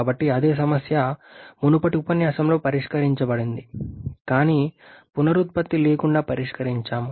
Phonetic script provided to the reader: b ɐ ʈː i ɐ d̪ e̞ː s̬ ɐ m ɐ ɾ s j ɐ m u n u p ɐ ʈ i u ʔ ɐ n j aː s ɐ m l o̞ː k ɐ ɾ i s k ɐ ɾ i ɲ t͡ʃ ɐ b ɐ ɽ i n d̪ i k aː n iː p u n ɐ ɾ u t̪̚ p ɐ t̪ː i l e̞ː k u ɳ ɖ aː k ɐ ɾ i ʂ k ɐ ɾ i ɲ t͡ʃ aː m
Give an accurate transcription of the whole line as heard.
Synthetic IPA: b ɐ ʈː i ɐ d̪ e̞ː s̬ ɐ m ɐ s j ɐ m u n u p ɐ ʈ i u p ɐ n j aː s ɐ m l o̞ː p ɐ ɾ i ʂ k ɐ ɾ i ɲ t͡ʃ ɐ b ɐ ɽ i n d̪ i k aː n iː p u n ɐ ɾ u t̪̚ p ɐ t̪ː i l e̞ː k u ɳ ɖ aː p ɐ ɾ i ʂ k ɐ ɾ i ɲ t͡ʃ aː m